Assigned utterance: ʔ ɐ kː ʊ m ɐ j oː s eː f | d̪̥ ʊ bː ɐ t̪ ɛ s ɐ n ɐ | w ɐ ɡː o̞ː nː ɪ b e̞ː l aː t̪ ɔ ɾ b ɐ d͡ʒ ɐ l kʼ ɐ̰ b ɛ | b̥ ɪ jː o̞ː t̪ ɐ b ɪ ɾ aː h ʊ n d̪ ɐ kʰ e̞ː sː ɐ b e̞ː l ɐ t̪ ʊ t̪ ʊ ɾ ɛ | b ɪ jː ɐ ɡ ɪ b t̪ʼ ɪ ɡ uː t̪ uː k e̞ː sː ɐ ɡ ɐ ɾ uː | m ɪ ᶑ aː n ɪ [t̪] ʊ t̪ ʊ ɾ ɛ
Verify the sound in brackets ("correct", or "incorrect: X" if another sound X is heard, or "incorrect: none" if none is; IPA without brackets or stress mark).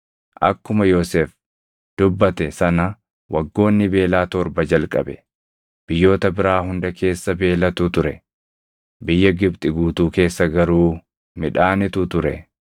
correct